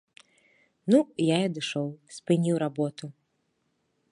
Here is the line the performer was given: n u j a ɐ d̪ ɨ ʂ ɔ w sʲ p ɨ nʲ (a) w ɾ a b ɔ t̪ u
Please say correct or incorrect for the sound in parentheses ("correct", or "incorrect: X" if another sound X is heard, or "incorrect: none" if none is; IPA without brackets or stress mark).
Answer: incorrect: i